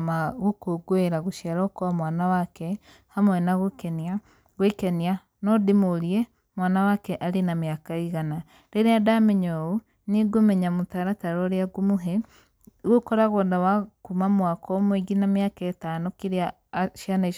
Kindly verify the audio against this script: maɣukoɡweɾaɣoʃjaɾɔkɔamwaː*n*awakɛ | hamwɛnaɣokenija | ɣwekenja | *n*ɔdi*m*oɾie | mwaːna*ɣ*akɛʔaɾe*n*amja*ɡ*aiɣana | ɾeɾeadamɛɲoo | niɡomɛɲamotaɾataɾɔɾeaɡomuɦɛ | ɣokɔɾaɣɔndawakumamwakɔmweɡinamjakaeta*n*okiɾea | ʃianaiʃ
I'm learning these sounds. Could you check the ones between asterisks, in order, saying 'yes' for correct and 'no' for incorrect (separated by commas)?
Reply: yes, yes, yes, no, yes, no, yes